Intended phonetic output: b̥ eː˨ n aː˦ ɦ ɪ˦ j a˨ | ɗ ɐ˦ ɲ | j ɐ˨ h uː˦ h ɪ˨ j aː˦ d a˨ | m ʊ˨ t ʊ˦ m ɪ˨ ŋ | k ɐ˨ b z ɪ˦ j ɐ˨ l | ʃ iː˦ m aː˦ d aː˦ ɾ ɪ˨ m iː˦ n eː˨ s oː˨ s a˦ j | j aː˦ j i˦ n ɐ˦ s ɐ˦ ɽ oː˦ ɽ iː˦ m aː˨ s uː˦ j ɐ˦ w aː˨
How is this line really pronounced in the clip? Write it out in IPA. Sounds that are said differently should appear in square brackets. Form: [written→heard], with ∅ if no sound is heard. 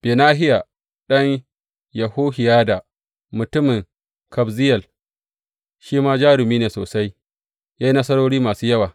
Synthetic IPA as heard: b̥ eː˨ n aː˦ ɦ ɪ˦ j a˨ | ɗ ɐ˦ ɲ | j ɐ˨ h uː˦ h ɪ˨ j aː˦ d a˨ | m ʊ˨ t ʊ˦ m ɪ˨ ŋ | k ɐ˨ b z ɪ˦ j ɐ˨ l | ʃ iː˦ m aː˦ [d→d͡ʒ] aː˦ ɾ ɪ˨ m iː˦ n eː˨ s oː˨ s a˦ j | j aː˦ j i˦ n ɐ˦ s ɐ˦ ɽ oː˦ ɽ iː˦ m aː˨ s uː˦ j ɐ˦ w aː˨